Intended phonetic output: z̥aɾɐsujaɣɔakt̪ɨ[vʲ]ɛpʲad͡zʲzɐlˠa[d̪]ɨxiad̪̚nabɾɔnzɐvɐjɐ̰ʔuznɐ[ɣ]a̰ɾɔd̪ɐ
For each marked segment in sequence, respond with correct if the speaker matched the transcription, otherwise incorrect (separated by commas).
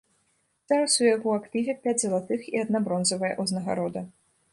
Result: correct, incorrect, correct